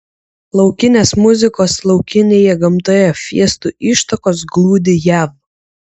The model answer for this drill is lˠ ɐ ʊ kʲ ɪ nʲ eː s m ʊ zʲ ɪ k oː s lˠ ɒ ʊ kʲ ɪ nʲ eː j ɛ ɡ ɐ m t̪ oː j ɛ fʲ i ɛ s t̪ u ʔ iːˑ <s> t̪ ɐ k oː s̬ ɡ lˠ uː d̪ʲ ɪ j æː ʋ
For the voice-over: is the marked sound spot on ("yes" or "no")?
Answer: no